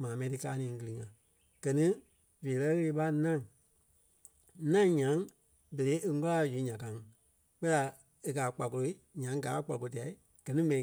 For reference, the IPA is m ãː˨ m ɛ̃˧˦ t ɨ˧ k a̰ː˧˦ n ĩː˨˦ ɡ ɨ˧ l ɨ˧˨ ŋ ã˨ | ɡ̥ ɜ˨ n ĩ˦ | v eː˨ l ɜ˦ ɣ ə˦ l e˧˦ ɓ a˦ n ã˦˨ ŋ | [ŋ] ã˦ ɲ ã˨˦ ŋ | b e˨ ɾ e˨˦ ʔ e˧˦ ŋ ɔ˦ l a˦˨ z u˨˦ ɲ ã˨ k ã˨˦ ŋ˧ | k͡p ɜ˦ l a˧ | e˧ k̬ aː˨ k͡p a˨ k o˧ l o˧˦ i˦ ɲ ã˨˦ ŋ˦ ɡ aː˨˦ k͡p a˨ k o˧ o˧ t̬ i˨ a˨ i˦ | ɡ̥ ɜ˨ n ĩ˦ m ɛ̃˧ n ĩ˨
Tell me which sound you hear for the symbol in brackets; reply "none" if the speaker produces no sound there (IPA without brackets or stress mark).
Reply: n